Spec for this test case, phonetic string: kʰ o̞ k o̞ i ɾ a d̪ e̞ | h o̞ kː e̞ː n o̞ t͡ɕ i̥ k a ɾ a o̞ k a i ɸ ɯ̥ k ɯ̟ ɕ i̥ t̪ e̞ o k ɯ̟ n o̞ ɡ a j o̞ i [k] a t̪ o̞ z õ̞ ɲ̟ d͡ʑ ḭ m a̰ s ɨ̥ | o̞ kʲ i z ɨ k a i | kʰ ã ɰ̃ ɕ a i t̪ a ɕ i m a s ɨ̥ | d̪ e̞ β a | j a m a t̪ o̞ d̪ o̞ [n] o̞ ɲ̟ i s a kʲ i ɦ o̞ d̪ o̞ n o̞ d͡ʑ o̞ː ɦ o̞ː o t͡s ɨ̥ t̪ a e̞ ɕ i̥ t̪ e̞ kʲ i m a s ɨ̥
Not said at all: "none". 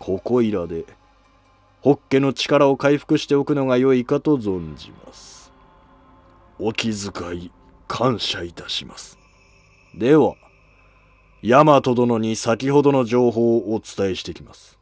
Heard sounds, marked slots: k, n

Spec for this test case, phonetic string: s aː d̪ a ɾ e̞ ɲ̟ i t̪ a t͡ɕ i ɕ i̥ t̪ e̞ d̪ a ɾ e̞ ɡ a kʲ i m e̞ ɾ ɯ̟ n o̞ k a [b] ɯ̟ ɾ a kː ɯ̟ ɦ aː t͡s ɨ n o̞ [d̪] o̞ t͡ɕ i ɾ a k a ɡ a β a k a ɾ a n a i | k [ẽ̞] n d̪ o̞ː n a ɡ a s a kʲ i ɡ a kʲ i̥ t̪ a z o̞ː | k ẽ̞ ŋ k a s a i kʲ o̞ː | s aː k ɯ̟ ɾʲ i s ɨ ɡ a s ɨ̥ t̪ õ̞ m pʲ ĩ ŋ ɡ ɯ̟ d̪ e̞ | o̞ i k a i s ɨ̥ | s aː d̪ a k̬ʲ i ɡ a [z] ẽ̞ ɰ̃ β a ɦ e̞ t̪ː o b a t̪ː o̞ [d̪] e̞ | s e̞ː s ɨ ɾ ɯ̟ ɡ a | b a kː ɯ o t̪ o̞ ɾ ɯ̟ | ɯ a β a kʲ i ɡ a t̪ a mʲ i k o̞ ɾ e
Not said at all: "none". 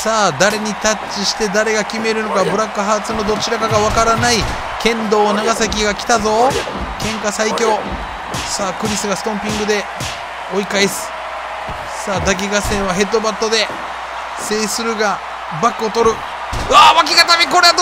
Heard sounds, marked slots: b, d̪, ẽ̞, s, d̪

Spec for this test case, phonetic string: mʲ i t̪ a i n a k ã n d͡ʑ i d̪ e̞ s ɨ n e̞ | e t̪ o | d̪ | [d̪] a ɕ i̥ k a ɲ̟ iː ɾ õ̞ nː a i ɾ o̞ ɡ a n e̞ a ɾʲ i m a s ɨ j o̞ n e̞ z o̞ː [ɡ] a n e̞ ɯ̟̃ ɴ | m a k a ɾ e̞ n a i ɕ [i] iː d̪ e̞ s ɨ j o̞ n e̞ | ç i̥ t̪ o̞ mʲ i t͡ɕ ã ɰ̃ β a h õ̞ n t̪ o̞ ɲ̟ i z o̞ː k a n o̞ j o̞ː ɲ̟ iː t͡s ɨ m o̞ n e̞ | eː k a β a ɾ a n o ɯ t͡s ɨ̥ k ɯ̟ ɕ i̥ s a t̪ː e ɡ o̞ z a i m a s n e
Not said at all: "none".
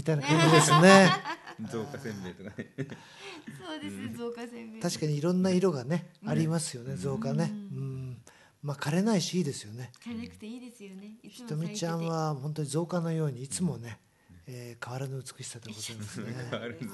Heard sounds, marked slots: t̪, k, i

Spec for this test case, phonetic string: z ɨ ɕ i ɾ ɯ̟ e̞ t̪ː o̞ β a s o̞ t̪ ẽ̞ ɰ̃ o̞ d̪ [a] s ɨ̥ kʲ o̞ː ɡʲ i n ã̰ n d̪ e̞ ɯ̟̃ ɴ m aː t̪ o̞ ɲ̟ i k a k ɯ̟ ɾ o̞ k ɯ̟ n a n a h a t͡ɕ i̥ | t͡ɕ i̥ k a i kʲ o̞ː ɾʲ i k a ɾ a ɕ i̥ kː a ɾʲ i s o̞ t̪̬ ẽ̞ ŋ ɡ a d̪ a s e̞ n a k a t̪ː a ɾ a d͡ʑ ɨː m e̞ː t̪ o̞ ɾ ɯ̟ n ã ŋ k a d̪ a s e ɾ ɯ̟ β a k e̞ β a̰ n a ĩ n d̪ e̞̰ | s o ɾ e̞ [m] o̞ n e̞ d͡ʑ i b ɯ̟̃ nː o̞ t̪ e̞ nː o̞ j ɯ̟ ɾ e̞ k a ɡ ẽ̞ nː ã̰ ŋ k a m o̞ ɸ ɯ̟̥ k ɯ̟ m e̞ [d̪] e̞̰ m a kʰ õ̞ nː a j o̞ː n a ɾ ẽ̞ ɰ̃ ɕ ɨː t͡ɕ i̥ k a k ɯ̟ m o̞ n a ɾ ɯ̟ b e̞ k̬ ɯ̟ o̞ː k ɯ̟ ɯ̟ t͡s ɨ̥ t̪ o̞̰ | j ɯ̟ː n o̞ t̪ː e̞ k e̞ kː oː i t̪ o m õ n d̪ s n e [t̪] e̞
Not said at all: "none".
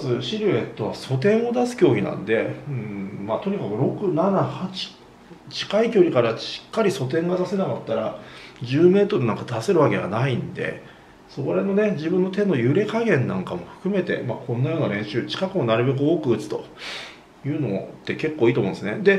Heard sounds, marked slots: a, n, t̪, d̪

